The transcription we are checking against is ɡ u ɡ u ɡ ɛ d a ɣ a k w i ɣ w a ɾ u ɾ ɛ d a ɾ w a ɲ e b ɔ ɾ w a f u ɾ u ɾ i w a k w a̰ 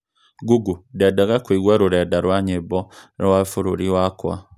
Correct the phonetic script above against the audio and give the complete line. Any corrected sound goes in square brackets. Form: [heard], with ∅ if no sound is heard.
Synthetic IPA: ɡ u ɡ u [d] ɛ d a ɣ a k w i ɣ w a ɾ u ɾ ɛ d a ɾ w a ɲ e b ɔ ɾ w a f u ɾ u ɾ i w a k w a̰